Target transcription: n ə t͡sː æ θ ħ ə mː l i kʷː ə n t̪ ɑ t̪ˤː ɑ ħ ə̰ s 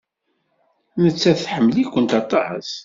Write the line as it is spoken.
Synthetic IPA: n ə t͡sː æ θ ħ ə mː l i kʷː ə n t̪ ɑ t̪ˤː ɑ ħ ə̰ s